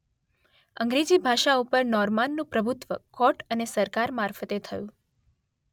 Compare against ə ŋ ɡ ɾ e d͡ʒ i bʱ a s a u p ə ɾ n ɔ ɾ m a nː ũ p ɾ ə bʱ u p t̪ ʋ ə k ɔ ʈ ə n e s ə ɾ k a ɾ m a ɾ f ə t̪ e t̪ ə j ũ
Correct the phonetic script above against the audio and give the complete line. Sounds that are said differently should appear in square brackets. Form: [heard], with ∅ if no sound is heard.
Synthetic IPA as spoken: ə ŋ ɡ ɾ e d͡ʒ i bʱ a [ʃ] a u p ə ɾ n ɔ ɾ m a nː ũ p ɾ ə bʱ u [∅] t̪ ʋ ə k ɔ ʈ ə n e s ə ɾ k a ɾ m a ɾ f ə t̪ e [t̪ʰ] ə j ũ